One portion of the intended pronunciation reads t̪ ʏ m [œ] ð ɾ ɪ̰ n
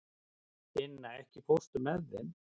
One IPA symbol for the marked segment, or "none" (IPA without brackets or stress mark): ɛ